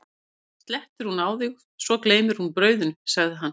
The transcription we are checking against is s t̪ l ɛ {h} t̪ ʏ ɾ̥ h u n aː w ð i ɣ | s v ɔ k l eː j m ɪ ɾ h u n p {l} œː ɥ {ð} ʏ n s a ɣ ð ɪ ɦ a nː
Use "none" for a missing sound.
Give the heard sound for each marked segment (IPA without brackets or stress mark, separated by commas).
h, ɾ, ð